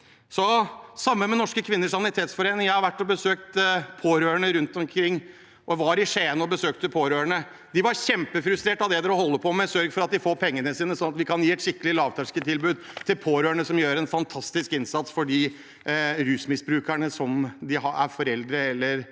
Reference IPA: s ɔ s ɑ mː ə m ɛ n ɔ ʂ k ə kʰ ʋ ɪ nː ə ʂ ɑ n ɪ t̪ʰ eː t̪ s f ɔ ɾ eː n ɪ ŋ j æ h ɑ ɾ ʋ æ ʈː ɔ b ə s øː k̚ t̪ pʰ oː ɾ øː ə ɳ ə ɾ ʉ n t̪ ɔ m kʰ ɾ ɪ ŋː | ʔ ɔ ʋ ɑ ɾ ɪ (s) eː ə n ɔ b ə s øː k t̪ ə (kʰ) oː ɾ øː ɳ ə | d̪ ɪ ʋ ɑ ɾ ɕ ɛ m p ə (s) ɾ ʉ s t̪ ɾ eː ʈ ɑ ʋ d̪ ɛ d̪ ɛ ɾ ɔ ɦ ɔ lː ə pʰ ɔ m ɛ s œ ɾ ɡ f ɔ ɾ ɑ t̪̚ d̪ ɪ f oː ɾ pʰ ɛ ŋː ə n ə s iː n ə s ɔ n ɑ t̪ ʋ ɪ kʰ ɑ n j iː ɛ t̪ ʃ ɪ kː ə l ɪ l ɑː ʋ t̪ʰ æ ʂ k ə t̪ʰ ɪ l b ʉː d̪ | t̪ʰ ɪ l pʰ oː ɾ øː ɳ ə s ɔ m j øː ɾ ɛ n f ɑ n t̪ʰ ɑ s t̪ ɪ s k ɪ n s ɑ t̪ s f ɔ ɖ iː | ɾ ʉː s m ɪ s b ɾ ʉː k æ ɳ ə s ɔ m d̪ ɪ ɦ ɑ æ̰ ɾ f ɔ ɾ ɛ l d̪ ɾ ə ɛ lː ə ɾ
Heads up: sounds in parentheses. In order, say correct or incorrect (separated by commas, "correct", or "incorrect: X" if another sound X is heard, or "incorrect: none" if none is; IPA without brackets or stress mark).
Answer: incorrect: ʂ, incorrect: pʰ, incorrect: f